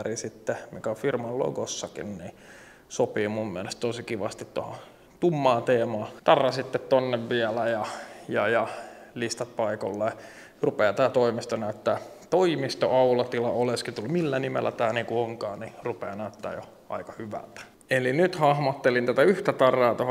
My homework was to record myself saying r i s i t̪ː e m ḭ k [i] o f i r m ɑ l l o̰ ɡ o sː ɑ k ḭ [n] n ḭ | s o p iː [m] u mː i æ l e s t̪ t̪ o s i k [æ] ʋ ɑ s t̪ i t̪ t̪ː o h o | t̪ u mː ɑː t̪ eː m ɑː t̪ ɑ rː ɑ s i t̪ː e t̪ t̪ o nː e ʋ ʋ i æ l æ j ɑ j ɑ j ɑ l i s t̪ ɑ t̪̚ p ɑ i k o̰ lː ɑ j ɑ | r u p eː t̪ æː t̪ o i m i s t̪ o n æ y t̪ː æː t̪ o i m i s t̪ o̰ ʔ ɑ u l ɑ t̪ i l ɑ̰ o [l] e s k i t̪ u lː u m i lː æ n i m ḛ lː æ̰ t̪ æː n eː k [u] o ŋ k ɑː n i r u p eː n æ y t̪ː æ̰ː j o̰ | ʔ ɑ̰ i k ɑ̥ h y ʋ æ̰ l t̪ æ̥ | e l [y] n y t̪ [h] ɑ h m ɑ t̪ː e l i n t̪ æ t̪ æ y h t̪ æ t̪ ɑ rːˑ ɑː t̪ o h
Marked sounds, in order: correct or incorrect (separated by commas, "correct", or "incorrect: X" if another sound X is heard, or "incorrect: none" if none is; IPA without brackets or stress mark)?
incorrect: æ, correct, correct, incorrect: i, correct, correct, incorrect: i, correct